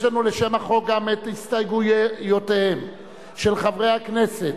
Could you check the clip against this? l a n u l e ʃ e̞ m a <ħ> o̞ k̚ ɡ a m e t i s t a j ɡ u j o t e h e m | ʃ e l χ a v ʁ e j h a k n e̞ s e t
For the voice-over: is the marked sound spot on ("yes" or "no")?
no